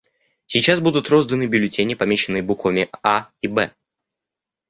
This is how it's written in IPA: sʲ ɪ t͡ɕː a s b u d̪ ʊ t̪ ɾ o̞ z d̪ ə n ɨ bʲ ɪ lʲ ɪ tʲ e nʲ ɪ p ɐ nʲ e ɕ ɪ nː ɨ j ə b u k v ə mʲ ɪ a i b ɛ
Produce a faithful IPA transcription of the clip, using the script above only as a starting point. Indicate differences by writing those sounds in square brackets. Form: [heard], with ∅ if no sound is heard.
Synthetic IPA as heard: sʲ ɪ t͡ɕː a s b u d̪ ʊ t̪ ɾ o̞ z d̪ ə n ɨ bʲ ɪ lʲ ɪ tʲ e nʲ ɪ p ɐ [mʲ] e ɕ ɪ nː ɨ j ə b u k v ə mʲ ɪ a i b ɛ

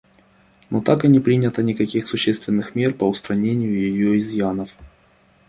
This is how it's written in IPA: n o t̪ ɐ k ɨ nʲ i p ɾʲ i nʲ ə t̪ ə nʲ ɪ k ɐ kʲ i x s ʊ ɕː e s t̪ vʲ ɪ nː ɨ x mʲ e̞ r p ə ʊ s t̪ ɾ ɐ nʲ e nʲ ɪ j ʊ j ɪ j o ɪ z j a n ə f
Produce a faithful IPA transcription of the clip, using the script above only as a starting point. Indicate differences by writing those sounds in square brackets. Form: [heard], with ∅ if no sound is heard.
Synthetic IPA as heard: n o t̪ [a] k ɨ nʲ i p ɾʲ i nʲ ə t̪ ə nʲ ɪ k ɐ kʲ i x s ʊ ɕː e s t̪ vʲ ɪ nː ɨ x mʲ e̞ r p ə ʊ s t̪ ɾ ɐ nʲ e nʲ ɪ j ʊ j ɪ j o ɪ z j a n ə f

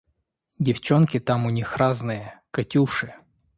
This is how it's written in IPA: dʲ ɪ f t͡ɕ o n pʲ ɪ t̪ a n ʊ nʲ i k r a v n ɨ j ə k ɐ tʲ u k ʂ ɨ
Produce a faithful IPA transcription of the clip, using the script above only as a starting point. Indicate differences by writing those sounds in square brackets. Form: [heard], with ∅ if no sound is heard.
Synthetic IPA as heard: dʲ ɪ f t͡ɕ o n [kʲ] ɪ t̪ a [m] ʊ nʲ i [x] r a [z] n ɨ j ə k ɐ tʲ u [∅] ʂ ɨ

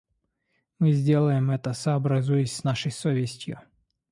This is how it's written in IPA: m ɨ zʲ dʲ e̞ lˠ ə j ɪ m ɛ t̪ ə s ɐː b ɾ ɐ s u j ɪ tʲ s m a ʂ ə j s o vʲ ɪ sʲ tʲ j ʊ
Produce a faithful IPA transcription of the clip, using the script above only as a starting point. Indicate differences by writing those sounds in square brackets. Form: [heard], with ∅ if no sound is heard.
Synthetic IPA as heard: m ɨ zʲ dʲ e̞ lˠ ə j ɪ m ɛ t̪ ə s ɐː b ɾ ɐ [z] u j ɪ [sʲ] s [n] a ʂ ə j s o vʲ ɪ sʲ tʲ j ʊ

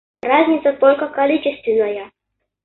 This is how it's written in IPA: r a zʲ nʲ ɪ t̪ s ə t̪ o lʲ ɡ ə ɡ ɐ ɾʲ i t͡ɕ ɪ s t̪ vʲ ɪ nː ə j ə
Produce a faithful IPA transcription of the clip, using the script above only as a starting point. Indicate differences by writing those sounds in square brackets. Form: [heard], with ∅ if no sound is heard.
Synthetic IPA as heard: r a zʲ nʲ ɪ t̪ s ə t̪ o lʲ [k] ə [k] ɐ [lʲ] i t͡ɕ ɪ s t̪ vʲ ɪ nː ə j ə

